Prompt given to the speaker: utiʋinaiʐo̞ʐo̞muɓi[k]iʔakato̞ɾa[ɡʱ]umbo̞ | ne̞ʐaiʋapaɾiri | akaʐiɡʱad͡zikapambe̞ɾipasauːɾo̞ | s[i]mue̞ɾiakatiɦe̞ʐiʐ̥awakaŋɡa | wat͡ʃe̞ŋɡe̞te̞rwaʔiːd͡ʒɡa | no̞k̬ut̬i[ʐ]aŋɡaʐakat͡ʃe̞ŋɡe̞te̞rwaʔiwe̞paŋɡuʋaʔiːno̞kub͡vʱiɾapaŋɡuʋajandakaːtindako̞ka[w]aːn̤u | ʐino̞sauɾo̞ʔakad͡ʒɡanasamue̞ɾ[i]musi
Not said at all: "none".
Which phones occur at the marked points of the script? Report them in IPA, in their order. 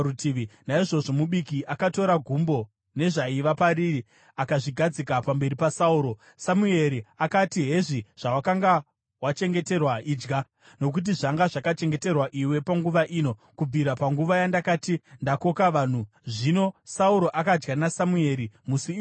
k, ɡʱ, a, ʐ, ʋ, i

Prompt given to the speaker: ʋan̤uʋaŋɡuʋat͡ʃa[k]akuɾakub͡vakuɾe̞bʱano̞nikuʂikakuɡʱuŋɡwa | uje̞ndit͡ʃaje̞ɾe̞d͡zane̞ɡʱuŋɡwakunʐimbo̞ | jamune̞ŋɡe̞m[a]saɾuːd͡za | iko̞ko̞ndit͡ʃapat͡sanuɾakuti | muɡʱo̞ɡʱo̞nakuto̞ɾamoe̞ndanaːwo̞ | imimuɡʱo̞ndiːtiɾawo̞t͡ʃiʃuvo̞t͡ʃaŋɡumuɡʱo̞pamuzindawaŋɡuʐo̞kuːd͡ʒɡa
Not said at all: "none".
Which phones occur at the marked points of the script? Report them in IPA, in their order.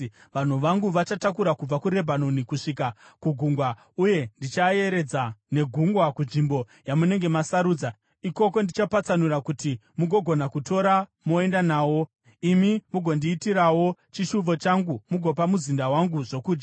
t, a

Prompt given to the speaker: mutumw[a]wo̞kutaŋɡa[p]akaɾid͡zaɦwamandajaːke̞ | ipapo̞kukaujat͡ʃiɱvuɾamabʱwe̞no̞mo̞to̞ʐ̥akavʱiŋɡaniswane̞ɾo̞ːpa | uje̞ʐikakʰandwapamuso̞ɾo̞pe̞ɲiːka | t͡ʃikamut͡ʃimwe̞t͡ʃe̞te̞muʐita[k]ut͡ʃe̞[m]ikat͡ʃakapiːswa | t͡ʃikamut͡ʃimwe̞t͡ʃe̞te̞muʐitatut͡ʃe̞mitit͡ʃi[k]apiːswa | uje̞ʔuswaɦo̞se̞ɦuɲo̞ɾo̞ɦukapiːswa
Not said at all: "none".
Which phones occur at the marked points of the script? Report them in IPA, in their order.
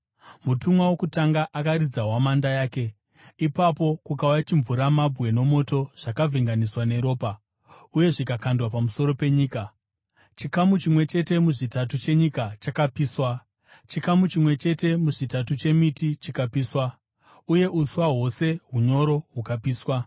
a, ʔ, t, ɲ, k

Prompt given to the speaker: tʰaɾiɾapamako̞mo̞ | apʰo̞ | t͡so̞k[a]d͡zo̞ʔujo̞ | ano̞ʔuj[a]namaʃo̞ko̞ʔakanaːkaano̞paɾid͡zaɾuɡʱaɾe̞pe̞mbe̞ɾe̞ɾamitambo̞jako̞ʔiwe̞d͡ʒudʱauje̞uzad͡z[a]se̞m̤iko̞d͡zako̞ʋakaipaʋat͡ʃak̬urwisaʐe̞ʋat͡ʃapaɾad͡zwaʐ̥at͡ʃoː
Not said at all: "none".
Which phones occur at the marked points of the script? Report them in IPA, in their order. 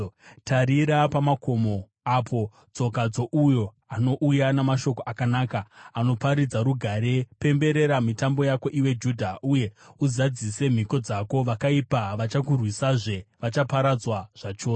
a, a, i

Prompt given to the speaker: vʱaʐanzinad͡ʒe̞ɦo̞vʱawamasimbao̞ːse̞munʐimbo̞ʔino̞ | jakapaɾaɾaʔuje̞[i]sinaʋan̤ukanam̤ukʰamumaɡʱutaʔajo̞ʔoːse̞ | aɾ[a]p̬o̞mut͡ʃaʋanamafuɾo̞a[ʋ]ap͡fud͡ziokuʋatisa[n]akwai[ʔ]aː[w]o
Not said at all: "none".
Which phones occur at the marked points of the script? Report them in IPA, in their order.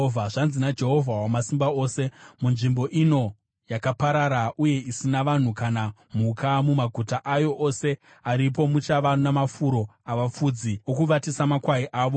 i, i, ʋ, m, ʔ, ʋ

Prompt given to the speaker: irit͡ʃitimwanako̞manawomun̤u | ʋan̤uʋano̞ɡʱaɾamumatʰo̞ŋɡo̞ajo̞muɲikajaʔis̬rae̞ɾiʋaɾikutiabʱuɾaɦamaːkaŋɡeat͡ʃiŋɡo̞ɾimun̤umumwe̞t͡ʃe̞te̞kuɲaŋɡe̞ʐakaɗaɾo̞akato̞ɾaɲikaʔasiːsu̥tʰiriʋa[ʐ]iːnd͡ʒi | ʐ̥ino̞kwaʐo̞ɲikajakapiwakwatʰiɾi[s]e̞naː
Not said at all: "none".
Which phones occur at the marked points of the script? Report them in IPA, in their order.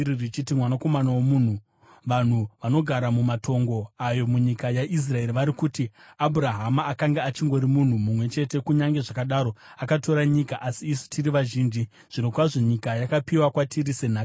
ʒ, s

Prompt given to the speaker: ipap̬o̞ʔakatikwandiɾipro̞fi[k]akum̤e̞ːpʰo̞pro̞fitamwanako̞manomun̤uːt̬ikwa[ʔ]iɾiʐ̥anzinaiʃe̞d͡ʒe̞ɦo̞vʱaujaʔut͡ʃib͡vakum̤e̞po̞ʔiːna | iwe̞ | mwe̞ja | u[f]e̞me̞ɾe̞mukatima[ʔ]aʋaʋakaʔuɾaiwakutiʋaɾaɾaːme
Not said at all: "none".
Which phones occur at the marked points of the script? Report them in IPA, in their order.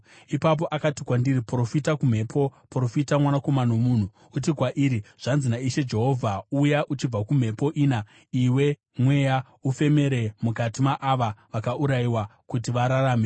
t, ʔ, f, ʔ

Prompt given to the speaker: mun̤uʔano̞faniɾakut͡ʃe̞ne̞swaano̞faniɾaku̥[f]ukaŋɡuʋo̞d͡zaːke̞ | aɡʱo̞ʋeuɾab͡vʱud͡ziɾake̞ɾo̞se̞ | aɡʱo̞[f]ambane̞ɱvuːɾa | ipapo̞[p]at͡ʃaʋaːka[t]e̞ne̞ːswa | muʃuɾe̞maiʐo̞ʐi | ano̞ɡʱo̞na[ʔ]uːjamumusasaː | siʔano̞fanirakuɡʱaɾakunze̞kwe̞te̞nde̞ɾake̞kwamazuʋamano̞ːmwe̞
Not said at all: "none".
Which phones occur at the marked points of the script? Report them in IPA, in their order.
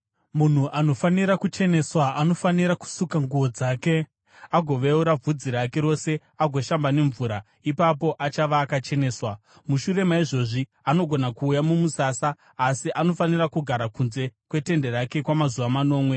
s, ʃ, ʔ, t͡ʃ, k

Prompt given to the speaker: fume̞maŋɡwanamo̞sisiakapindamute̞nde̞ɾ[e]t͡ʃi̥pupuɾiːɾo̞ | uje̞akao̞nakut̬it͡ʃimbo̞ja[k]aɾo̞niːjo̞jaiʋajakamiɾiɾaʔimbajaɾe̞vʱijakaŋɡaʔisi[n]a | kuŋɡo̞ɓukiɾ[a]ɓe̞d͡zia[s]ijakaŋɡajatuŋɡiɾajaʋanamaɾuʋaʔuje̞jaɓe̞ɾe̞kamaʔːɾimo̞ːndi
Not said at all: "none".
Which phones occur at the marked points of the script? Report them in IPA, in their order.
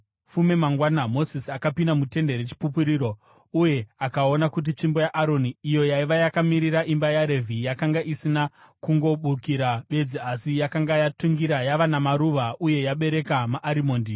e, ʔ, n, a, s

